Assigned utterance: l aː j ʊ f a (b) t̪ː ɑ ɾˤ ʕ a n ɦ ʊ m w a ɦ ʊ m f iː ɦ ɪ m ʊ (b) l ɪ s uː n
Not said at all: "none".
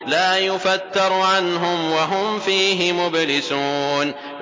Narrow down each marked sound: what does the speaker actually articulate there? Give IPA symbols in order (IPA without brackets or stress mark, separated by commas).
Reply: none, b